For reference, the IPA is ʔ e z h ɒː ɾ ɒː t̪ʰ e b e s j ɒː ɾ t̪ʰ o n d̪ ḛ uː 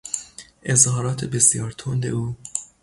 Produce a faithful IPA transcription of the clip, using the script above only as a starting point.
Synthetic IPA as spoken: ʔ e z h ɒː ɾ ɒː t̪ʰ e b e s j ɒː ɾ t̪ʰ o n d̪ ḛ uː